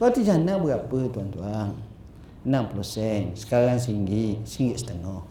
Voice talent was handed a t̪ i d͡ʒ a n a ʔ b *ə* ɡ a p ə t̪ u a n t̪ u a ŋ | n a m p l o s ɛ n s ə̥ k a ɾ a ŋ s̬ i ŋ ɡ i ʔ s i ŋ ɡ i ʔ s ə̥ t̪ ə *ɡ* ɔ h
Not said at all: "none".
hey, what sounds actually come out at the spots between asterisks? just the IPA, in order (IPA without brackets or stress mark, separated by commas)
ə, ŋ